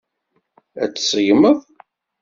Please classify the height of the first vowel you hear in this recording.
low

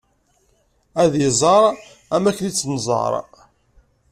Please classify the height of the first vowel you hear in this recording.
low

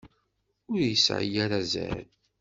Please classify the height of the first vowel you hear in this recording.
high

